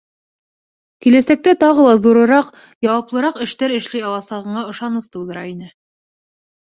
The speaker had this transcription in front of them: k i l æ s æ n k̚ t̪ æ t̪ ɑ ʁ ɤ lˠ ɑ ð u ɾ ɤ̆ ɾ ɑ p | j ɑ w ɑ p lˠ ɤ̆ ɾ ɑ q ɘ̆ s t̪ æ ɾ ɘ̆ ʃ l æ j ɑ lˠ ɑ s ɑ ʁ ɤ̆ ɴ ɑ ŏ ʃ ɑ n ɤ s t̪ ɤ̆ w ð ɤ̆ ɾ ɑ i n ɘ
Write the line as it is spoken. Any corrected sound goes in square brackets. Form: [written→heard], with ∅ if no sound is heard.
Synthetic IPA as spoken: k i l æ s æ [n→∅] k̚ t̪ æ t̪ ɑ ʁ ɤ lˠ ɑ ð u ɾ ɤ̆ ɾ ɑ [p→q] | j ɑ w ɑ p lˠ ɤ̆ ɾ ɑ q ɘ̆ [s→ʃ] t̪ æ ɾ ɘ̆ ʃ l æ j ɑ lˠ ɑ s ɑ ʁ ɤ̆ ɴ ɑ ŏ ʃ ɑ n ɤ s t̪ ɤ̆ w ð ɤ̆ ɾ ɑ i n ɘ